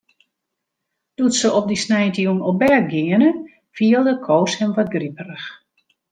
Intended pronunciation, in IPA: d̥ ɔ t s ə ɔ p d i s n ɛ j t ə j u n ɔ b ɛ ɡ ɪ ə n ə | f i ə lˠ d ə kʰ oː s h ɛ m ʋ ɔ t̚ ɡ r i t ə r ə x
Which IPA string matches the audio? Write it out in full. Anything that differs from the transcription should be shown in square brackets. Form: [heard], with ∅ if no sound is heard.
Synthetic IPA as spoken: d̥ [u] t s ə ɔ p d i s n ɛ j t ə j u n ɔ b ɛ ɡ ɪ ə n ə | f i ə lˠ d ə kʰ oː s h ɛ m ʋ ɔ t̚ ɡ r i [p] ə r ə x